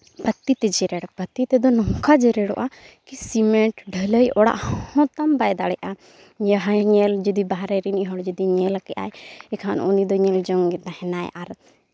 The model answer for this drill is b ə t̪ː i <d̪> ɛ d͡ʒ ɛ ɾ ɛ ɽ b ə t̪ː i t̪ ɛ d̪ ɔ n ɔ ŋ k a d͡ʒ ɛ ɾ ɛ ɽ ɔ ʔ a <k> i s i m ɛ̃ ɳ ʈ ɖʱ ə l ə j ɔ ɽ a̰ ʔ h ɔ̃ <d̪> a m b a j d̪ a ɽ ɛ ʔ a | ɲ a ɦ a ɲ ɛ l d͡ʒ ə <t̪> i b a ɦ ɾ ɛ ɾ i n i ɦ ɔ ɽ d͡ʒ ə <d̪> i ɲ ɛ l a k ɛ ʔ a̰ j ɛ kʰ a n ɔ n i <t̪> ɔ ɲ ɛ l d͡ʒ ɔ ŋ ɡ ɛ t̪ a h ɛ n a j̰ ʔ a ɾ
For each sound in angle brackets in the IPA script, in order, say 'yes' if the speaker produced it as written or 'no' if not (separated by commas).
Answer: no, yes, no, no, yes, no